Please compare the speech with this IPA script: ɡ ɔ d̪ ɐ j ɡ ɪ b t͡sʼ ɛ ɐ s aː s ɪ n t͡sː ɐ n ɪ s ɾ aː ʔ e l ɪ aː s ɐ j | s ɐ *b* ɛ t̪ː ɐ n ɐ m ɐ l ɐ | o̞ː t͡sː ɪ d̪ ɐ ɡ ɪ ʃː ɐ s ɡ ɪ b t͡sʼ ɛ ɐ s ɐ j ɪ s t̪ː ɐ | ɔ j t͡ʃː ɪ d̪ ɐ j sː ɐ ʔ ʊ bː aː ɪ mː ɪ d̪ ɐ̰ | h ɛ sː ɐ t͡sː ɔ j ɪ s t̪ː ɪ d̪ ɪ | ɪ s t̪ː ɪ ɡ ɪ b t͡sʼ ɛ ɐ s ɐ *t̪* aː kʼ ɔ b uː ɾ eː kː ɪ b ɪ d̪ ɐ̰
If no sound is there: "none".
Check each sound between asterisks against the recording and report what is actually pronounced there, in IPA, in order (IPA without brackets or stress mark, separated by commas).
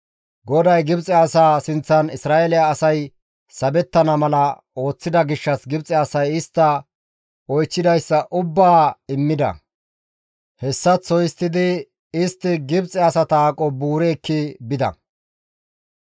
b, t̪